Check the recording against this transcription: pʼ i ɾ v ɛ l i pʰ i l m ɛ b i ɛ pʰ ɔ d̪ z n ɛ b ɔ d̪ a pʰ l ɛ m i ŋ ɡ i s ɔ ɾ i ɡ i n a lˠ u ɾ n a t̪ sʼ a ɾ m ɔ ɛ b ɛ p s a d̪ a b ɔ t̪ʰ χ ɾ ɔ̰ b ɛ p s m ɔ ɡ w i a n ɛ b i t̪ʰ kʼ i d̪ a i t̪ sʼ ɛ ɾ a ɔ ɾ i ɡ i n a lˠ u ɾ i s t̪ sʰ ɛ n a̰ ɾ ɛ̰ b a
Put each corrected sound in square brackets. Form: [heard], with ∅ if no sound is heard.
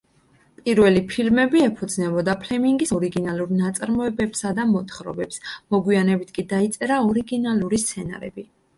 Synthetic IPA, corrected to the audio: pʼ i ɾ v ɛ l i pʰ i l m ɛ b i ɛ pʰ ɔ d̪ z n ɛ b ɔ d̪ a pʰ l ɛ m i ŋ ɡ i s ɔ ɾ i ɡ i n a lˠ u ɾ n a t̪ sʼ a ɾ m ɔ ɛ b ɛ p s a d̪ a [m] ɔ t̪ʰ χ ɾ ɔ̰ b ɛ p s m ɔ ɡ w i a n ɛ b i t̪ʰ kʼ i d̪ a i t̪ sʼ ɛ ɾ a ɔ ɾ i ɡ i n a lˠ u ɾ i s t̪ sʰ ɛ n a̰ ɾ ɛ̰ b [i]